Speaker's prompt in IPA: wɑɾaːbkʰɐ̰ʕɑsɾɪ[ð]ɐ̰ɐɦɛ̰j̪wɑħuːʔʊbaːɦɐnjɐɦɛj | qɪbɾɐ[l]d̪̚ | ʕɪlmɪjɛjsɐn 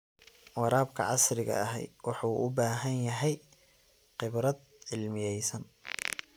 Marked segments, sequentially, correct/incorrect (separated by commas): incorrect, incorrect